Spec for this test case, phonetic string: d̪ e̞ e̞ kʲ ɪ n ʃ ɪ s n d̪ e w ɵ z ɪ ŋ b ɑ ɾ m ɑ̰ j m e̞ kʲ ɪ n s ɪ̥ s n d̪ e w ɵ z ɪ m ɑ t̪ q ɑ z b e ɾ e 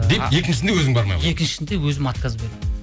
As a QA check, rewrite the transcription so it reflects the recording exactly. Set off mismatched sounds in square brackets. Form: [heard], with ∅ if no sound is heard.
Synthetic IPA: d̪ e̞ e̞ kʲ ɪ n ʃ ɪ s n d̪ e w ɵ z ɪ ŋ b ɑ ɾ m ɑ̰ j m e̞ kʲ ɪ n [ʃ] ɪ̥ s n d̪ e w ɵ z ɪ m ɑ t̪ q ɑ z b e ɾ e